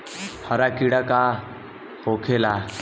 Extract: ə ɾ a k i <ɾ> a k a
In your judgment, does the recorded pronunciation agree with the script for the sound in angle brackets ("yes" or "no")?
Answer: no